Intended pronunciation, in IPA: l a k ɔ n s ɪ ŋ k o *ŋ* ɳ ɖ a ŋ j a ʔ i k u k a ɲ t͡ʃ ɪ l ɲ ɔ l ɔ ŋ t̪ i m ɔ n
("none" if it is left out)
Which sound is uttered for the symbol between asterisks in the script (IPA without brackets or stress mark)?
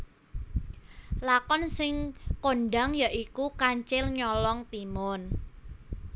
none